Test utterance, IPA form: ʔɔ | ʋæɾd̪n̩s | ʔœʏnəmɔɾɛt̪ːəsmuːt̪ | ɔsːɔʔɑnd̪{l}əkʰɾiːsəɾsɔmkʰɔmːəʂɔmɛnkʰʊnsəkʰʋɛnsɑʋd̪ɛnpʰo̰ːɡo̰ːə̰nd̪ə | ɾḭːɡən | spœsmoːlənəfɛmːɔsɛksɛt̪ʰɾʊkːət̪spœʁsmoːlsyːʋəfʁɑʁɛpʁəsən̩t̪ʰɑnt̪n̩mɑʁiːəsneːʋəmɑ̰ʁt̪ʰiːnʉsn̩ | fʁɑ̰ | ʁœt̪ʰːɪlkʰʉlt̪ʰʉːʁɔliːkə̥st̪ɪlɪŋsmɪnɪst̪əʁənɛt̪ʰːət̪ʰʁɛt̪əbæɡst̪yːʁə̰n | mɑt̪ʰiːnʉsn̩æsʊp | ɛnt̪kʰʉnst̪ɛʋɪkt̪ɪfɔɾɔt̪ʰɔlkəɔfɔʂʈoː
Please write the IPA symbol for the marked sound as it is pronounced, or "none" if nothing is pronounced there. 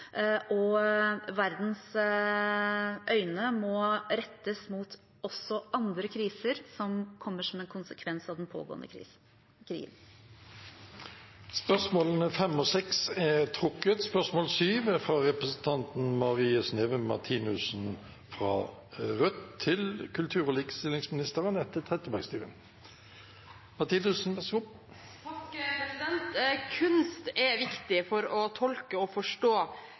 ɾ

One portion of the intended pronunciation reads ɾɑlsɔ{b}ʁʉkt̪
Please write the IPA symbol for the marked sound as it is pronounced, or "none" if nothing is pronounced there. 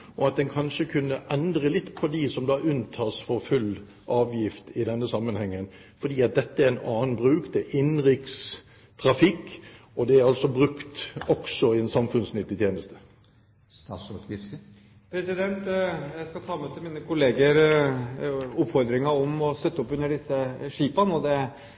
b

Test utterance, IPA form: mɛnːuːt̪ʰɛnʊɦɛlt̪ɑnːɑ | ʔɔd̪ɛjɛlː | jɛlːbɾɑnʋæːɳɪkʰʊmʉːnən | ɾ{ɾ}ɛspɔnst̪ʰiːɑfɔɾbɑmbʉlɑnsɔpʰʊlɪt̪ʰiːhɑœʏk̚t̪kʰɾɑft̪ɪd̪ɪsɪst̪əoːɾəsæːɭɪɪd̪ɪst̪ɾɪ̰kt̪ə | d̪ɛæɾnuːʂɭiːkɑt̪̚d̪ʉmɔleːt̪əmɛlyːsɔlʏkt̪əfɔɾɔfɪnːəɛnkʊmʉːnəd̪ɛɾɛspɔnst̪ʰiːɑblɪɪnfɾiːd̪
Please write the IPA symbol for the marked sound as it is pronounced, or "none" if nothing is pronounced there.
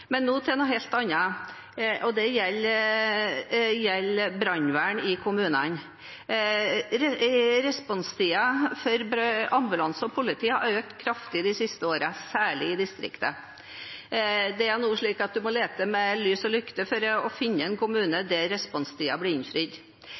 ɾ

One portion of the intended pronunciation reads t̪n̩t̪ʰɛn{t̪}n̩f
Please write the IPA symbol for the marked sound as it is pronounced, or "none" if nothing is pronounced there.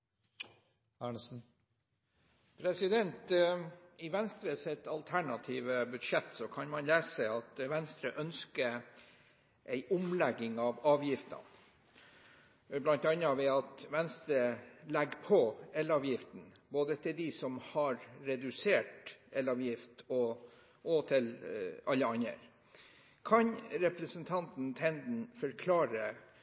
d̪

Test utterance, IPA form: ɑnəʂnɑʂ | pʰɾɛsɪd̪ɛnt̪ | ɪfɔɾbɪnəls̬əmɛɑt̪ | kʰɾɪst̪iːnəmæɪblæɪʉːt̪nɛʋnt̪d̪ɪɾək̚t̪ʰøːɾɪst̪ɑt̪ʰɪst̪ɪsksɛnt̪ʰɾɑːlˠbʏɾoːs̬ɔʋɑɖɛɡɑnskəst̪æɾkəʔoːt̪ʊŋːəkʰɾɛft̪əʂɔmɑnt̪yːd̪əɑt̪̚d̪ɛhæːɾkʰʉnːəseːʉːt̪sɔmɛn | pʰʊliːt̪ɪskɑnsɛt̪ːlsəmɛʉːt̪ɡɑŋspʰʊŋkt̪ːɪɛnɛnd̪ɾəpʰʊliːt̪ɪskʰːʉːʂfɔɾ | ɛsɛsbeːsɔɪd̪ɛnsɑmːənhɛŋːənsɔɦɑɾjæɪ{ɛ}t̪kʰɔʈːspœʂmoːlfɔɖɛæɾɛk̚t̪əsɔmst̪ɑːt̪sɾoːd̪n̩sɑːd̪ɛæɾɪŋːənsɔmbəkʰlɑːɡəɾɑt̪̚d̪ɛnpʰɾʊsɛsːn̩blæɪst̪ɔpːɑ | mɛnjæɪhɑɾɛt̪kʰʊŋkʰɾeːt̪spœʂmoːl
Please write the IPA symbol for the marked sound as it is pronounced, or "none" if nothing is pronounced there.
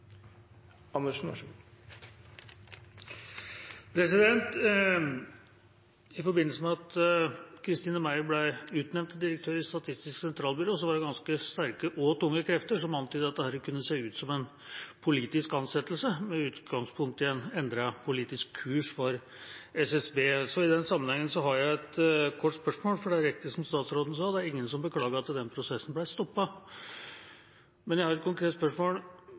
ɛ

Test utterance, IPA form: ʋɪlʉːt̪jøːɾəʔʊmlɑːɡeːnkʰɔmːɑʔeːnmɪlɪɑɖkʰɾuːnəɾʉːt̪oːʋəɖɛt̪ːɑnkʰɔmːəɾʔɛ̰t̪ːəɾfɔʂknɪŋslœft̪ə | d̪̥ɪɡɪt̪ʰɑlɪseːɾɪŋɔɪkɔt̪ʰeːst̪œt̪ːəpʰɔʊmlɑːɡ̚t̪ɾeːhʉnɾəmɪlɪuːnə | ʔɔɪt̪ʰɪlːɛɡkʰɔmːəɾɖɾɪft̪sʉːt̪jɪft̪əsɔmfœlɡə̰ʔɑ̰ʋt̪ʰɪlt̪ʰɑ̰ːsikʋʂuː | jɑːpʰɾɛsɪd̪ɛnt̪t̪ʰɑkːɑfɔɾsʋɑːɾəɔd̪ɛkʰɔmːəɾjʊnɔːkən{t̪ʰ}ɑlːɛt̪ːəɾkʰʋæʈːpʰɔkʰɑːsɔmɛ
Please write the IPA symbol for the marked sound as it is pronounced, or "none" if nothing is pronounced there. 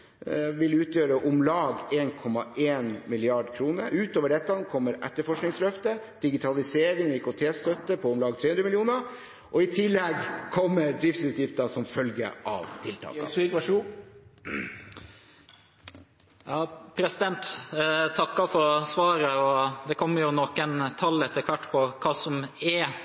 t̪ʰ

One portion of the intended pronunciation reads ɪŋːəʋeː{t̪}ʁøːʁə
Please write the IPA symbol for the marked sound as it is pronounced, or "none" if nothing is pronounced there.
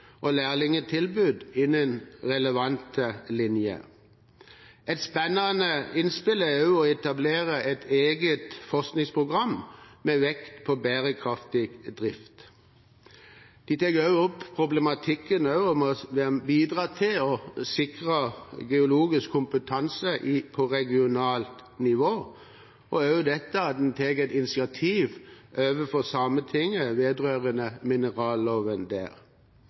d̪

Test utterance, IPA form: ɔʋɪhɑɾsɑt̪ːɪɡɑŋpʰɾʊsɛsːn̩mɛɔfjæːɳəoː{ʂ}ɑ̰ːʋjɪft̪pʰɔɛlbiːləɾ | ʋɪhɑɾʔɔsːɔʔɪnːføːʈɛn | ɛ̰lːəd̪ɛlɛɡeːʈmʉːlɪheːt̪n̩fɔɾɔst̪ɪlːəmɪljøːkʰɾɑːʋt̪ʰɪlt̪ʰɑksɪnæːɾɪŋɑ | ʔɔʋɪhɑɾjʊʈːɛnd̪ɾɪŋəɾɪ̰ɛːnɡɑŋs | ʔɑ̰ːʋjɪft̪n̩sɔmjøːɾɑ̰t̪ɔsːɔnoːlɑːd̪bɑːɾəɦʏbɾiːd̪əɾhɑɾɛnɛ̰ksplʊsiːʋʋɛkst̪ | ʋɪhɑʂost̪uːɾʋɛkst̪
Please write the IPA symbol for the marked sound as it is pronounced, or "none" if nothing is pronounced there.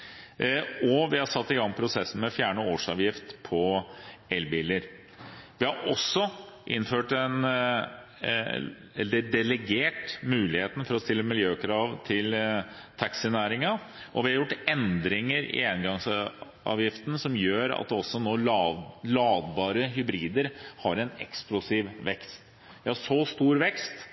ʂ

